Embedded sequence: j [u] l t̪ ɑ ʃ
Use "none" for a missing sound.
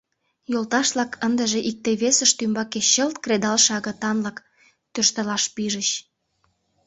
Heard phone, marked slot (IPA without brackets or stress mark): o